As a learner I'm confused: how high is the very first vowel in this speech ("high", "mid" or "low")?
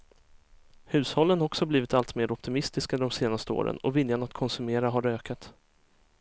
high